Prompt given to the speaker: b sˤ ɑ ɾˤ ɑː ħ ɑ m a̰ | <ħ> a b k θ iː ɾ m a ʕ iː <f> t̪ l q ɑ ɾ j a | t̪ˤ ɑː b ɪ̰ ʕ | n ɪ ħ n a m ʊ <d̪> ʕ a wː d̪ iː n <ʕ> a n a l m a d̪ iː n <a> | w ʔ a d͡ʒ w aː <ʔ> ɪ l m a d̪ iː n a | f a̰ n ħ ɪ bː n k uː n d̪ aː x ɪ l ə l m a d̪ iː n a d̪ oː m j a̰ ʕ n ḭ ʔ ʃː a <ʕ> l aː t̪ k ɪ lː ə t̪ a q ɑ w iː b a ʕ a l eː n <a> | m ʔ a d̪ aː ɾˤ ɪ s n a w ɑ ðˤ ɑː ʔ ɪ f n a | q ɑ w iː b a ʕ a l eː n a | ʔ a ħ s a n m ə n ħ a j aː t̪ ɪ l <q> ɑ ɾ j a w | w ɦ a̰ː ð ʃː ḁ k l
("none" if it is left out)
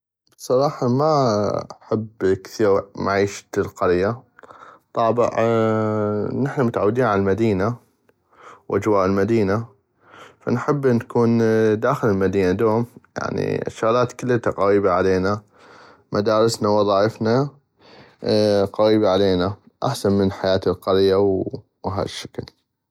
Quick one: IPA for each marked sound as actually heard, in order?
ħ, ʃ, t̪, ʕ, a, ʔ, ɣ, a, q

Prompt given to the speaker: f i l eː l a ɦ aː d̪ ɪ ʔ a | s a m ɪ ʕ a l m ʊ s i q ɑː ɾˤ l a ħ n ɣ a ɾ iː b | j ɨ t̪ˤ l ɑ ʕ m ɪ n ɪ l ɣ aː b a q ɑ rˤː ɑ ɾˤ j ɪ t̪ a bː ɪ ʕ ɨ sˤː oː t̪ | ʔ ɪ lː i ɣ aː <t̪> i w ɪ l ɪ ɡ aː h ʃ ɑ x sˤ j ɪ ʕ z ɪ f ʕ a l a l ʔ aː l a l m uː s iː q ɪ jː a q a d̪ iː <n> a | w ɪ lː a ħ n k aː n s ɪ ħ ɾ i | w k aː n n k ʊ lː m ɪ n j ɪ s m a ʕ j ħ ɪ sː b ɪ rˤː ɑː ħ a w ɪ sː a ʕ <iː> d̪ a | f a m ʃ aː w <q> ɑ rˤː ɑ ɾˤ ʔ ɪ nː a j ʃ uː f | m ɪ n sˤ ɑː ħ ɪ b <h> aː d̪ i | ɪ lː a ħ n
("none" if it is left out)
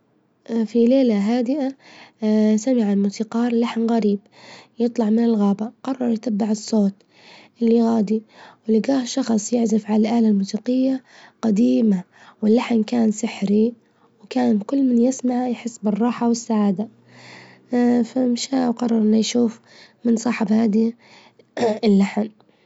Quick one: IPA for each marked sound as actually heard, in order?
d̪, m, aː, q, h

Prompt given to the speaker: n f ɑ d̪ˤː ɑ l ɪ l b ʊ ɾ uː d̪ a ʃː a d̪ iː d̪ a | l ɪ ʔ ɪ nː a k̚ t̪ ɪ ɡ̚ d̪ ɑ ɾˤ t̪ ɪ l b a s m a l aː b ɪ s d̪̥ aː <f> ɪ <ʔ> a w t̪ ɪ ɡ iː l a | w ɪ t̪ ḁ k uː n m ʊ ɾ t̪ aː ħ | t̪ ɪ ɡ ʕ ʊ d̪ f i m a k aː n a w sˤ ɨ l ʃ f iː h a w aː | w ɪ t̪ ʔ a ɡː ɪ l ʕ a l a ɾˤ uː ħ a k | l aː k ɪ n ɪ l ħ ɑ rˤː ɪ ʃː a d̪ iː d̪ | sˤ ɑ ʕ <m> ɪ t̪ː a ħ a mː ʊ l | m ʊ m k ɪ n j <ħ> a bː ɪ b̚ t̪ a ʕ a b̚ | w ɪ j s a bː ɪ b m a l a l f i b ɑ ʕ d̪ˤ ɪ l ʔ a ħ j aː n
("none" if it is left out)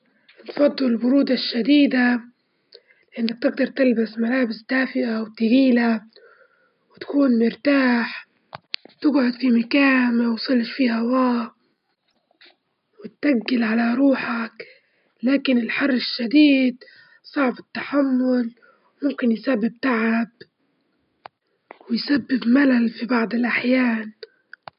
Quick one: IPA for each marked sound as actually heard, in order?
f, ʔ, b, s

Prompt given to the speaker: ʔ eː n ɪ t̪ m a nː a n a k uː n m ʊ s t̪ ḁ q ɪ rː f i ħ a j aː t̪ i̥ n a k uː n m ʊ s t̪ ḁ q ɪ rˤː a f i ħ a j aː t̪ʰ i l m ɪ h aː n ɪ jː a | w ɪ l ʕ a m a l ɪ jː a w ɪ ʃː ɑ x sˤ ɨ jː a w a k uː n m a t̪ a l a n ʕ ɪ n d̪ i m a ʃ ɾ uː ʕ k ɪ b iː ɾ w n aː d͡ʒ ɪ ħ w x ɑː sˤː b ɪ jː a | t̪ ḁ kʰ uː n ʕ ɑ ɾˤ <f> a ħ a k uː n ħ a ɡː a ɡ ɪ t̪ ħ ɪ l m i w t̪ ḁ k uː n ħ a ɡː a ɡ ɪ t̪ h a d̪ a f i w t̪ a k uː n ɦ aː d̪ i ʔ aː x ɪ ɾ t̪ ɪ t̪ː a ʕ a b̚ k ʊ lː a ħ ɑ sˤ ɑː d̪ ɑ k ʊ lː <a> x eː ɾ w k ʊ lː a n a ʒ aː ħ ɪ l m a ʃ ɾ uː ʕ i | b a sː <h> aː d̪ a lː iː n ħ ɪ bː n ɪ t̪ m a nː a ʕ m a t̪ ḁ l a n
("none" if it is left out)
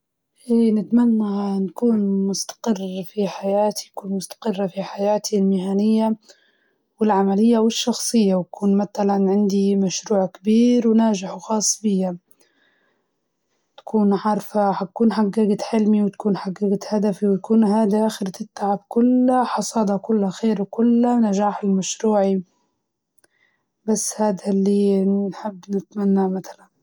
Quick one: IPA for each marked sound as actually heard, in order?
f, a, h

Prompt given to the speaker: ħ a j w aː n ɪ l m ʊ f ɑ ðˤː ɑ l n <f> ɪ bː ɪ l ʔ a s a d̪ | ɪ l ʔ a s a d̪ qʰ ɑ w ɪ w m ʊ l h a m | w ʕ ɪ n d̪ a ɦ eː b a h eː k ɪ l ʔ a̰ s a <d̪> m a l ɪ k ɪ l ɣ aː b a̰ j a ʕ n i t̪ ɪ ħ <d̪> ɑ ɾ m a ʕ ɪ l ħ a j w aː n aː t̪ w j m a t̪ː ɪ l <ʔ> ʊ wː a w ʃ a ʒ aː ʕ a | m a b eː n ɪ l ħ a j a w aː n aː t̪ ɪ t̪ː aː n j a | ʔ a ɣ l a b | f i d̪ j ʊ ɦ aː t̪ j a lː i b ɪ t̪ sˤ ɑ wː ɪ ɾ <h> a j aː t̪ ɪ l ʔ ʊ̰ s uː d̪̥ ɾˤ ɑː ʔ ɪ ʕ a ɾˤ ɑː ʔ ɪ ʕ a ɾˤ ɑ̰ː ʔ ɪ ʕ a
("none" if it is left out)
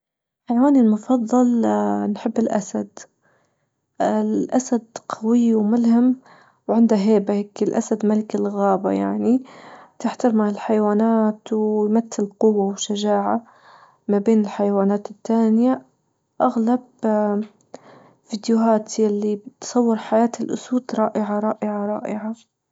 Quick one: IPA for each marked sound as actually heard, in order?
ħ, d̪, t̪, q, ħ

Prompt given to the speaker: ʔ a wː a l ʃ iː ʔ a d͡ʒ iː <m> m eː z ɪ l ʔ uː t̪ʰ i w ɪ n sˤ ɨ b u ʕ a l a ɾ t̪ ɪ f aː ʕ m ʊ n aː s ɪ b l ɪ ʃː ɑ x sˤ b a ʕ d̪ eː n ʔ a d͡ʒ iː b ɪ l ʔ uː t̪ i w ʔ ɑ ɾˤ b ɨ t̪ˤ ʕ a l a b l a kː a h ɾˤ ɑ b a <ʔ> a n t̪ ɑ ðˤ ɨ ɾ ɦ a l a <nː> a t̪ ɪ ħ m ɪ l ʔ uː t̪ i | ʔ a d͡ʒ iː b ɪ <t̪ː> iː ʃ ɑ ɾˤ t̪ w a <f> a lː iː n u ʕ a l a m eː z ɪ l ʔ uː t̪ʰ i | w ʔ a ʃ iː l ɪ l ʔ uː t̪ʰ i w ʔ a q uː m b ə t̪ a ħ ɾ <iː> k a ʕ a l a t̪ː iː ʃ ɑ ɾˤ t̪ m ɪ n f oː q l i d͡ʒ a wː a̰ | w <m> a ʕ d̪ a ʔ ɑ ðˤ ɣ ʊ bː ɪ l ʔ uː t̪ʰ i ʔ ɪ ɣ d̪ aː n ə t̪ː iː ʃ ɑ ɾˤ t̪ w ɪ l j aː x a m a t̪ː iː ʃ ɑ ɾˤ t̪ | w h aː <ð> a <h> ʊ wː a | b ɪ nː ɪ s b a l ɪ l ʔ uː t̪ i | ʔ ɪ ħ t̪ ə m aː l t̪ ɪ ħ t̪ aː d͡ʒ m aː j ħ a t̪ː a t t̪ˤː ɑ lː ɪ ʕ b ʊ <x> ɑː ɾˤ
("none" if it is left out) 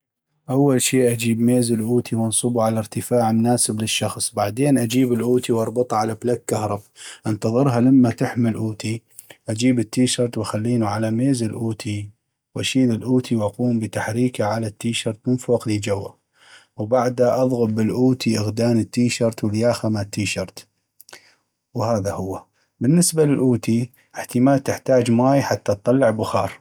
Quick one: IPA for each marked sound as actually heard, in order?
b, ʔ, mː, t̪ː, x, iː, b, ð, h, x

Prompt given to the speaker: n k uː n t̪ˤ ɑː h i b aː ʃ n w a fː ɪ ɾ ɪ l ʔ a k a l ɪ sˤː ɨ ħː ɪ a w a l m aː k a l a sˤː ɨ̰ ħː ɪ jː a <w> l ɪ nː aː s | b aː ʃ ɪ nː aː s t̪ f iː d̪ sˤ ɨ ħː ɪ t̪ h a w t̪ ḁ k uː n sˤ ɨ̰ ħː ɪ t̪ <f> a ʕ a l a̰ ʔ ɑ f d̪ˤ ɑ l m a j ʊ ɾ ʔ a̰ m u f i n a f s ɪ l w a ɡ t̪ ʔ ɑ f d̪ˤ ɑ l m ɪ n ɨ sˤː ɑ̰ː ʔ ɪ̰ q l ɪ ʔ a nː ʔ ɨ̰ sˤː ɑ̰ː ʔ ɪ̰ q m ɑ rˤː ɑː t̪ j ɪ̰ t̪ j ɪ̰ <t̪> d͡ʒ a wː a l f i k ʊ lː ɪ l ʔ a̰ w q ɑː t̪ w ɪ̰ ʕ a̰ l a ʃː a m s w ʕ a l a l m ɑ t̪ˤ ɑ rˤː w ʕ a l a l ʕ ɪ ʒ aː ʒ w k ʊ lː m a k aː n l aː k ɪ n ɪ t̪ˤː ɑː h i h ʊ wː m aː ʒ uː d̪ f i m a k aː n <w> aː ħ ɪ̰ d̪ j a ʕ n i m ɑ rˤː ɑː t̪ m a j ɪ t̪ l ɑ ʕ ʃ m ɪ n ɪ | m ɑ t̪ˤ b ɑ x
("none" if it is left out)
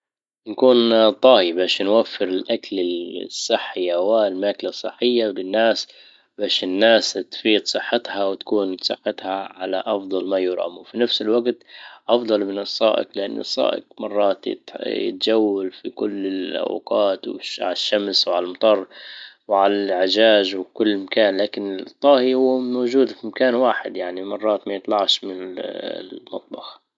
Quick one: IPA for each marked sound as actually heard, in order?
w, h, t̪, w

